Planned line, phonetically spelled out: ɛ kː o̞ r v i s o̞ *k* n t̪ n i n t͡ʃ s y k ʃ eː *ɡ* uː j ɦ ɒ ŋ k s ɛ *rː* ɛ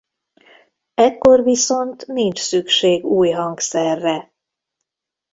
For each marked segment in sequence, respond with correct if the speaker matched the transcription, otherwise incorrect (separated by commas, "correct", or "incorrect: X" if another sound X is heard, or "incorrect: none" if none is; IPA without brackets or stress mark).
incorrect: none, correct, correct